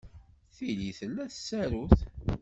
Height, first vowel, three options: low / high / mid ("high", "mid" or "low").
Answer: high